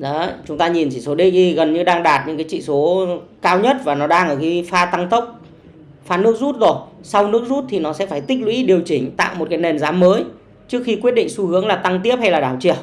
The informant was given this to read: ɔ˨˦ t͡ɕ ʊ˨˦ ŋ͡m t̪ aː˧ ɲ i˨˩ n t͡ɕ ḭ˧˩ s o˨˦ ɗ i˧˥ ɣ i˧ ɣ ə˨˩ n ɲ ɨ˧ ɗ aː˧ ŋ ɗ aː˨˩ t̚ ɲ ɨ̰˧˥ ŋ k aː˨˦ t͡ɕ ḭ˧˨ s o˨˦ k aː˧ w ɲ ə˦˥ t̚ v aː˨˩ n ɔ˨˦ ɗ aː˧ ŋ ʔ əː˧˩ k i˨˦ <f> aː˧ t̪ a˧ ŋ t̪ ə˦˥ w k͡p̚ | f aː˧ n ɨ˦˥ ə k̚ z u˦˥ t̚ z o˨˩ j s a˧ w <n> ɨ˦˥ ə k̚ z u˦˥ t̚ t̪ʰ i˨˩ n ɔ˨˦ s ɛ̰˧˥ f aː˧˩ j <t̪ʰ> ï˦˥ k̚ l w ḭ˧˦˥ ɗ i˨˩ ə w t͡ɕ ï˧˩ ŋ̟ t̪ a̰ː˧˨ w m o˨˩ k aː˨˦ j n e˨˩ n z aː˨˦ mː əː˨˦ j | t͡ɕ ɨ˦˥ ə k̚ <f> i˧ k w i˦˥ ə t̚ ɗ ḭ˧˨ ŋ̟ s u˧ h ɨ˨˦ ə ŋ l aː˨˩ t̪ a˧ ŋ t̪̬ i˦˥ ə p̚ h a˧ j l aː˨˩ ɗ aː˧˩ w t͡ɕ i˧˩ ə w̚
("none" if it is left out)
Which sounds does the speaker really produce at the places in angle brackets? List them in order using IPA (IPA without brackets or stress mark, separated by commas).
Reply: f, n, t̪, x